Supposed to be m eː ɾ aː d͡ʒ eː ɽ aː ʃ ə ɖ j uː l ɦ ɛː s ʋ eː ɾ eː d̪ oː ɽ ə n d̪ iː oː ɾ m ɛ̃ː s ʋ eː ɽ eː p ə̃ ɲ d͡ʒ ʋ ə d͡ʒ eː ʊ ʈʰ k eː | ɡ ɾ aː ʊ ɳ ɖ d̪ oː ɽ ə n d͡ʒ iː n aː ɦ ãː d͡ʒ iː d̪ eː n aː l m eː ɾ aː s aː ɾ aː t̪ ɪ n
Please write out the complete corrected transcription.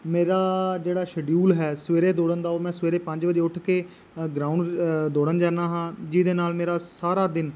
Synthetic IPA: m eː ɾ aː d͡ʒ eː ɽ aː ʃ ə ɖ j uː l ɦ ɛː s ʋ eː ɾ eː d̪ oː ɽ ə n d̪ aː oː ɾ m ɛ̃ː s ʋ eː ɾ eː p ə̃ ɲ d͡ʒ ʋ ə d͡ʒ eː ʊ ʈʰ k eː | ɡ ɾ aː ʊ ɳ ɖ d̪ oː ɽ ə n d͡ʒ aː n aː ɦ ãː d͡ʒ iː d̪ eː n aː l m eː ɾ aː s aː ɾ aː d̪ ɪ n